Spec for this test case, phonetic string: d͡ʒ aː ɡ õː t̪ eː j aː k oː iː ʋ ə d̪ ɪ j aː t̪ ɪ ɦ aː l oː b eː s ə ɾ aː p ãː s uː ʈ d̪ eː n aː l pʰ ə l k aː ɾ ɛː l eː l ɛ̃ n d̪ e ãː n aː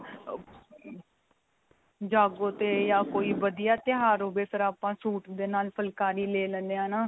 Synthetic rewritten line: d͡ʒ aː ɡ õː t̪ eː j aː k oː iː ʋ ə d̪ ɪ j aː t̪ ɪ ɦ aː ɾ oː b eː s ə ɾ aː p ãː s uː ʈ d̪ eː n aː l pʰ ə l k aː ɾ iː l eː l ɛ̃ n d̪ e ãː n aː